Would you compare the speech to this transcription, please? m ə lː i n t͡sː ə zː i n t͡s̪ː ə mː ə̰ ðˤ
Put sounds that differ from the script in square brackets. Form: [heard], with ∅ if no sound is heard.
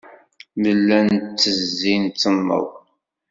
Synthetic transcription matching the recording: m ə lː [æ] n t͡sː ə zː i n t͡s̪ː ə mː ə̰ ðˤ